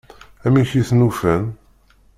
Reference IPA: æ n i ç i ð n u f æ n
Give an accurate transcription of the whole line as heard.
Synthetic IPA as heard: æ m i ç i θ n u f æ n